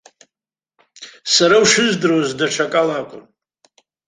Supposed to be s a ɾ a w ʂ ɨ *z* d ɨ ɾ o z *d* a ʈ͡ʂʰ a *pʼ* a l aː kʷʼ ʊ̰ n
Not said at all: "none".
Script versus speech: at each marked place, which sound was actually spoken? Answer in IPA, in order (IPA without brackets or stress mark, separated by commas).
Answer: z, d, kʼ